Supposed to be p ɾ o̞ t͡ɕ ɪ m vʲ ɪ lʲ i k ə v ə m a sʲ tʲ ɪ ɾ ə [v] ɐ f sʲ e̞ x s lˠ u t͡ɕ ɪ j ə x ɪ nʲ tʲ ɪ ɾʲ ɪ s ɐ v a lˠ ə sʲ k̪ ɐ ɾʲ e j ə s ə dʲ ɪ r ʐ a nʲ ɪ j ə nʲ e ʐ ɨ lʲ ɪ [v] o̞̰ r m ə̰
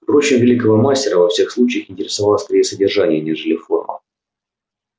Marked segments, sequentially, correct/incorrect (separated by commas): correct, incorrect